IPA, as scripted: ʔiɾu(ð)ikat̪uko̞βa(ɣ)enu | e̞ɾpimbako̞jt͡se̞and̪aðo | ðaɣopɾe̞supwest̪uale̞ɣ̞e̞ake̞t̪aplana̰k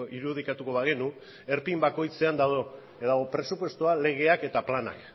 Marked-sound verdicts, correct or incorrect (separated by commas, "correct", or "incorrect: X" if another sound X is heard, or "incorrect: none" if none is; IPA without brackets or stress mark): correct, correct